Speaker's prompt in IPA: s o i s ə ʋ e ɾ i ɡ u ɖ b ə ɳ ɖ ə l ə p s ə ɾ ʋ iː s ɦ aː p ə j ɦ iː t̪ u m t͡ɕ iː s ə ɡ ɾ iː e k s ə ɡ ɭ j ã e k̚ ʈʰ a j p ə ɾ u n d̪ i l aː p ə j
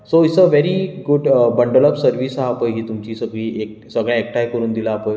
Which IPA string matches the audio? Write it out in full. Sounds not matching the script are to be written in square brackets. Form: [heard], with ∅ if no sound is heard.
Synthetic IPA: s o i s ə ʋ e ɾ i ɡ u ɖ b ə ɳ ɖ ə l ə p s ə ɾ ʋ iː s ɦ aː p ə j ɦ iː t̪ u m t͡ɕ iː s ə ɡ [ɭ] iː e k s ə ɡ ɭ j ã e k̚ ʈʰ a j [k] ə ɾ [uː] n d̪ i l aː p ə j